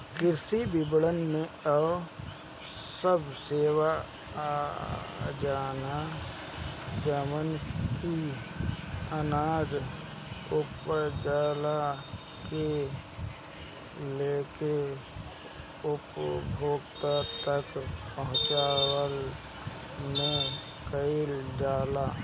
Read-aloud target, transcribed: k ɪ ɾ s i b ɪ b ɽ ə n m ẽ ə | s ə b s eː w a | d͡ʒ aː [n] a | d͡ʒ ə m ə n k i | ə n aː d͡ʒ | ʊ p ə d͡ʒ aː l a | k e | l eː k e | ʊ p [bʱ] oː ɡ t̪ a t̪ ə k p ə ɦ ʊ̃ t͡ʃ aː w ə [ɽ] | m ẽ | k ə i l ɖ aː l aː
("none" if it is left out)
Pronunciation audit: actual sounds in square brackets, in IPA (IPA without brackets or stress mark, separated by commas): n, bʱ, l